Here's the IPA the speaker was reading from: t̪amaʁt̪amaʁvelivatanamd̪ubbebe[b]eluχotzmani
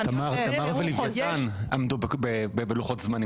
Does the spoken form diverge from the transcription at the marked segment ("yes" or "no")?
no